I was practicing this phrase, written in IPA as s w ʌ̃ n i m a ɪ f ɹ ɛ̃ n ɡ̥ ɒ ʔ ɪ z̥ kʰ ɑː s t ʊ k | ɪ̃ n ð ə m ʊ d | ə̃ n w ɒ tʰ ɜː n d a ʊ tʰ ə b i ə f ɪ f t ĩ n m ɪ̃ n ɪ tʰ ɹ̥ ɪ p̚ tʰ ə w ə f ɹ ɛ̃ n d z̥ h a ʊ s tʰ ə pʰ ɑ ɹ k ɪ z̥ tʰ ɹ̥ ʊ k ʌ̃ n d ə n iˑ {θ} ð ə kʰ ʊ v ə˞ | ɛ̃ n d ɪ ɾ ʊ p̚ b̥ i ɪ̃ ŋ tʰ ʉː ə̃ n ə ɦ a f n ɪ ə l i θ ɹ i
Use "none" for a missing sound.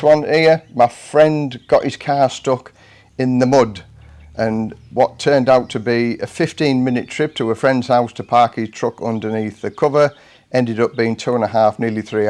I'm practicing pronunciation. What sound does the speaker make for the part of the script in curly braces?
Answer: θ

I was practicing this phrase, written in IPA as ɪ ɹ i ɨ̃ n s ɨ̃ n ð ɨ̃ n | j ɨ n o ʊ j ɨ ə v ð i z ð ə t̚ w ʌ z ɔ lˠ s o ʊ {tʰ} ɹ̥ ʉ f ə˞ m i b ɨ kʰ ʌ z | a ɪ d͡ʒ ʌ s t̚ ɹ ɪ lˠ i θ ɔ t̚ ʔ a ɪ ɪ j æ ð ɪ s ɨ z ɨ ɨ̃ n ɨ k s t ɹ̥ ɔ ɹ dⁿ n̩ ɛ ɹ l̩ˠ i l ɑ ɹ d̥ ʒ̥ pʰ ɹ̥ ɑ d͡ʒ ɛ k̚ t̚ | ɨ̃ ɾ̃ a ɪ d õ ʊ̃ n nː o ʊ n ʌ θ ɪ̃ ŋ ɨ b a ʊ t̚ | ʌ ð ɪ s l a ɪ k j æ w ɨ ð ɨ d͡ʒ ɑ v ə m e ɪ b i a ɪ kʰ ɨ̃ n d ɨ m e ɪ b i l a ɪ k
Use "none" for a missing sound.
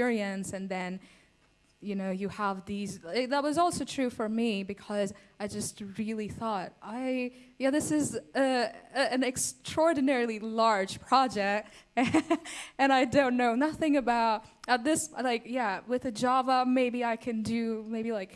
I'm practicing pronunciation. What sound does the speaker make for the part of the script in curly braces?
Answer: tʰ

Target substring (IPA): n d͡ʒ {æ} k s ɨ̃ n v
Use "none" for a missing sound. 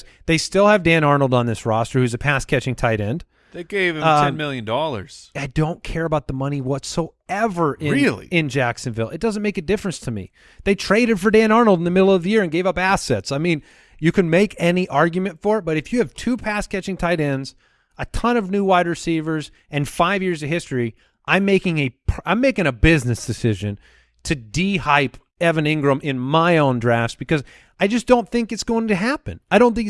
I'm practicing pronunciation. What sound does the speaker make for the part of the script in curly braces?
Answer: æ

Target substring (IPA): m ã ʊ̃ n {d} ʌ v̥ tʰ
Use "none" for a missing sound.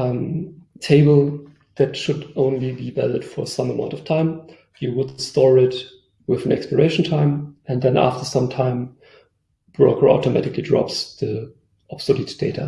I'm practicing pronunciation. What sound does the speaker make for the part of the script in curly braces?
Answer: t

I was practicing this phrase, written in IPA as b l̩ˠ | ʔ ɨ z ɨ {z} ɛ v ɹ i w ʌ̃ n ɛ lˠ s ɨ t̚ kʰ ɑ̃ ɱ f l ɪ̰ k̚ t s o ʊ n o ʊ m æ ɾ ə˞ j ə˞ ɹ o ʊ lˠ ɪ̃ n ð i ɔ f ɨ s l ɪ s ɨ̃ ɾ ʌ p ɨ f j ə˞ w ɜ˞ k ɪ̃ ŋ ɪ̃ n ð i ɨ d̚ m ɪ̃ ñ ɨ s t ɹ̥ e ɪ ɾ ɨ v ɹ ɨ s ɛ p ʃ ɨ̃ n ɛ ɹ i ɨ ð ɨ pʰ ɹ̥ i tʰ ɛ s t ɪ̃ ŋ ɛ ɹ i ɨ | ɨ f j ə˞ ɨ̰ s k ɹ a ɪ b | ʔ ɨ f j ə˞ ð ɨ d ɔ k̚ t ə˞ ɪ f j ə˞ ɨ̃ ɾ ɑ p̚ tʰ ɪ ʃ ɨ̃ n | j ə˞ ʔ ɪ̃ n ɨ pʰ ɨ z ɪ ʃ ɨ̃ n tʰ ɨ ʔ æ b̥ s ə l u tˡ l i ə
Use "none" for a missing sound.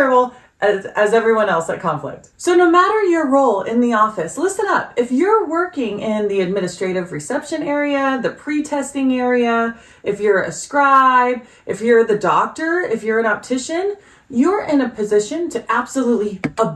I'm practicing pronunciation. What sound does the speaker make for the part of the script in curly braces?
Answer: z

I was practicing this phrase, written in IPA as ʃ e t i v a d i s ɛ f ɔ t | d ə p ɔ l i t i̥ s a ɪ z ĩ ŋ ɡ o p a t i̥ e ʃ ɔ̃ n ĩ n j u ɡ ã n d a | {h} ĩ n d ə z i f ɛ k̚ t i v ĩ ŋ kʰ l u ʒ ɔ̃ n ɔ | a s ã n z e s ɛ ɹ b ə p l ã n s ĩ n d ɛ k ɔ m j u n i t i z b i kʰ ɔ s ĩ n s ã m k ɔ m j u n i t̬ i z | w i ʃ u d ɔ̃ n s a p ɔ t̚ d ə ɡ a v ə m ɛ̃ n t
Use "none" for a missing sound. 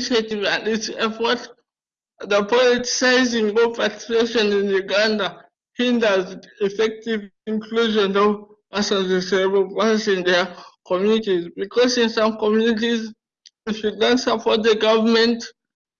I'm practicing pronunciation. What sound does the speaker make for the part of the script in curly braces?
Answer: h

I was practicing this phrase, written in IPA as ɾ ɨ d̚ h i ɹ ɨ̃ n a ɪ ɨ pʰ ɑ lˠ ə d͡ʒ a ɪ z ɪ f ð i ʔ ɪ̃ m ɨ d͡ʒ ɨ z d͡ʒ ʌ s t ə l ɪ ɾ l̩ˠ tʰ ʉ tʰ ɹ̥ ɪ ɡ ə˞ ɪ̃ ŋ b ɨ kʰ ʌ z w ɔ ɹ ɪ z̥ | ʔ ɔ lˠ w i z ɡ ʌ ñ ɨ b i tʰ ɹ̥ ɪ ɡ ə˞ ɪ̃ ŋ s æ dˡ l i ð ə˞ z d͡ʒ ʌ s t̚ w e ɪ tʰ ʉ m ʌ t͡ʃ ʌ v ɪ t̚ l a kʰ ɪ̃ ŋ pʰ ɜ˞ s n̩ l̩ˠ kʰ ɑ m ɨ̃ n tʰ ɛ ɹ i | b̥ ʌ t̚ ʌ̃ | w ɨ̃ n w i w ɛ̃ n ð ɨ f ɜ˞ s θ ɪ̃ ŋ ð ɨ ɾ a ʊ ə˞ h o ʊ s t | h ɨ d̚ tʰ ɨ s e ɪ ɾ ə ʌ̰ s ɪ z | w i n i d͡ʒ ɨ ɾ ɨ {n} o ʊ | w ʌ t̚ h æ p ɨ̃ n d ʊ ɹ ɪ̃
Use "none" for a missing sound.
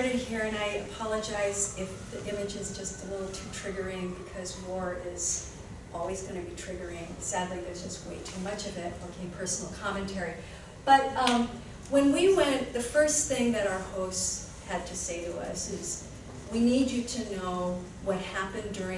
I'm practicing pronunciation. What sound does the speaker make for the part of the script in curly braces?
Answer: n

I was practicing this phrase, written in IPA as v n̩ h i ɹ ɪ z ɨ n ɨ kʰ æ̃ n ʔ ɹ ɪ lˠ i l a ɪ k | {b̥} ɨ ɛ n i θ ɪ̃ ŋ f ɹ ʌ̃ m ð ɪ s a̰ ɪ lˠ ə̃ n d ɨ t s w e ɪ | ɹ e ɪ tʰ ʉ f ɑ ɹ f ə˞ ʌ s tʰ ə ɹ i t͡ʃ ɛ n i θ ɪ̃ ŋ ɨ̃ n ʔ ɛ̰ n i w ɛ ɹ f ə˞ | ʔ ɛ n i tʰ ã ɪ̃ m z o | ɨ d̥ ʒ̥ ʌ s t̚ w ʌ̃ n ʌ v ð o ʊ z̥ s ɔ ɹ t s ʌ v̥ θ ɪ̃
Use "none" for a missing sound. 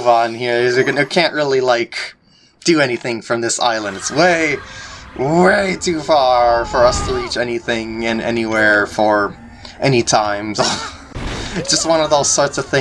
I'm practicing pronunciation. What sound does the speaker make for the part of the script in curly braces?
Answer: d̥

